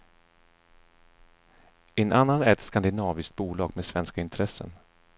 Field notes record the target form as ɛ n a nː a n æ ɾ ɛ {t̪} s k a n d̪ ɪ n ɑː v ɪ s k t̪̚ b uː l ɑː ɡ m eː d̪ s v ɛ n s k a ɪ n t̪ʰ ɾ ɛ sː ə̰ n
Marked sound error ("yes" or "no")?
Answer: no